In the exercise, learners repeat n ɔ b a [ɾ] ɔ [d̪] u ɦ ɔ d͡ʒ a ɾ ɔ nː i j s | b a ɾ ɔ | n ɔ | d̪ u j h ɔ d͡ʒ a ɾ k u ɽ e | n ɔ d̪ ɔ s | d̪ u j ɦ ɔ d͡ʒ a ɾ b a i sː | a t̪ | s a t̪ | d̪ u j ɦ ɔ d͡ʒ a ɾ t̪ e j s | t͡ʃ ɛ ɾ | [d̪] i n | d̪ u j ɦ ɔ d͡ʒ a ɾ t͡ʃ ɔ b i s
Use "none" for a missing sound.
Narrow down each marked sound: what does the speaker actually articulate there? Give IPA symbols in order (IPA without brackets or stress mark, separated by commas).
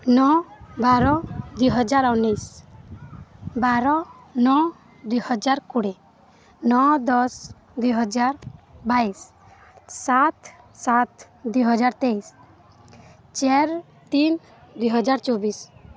ɾ, d̪, t̪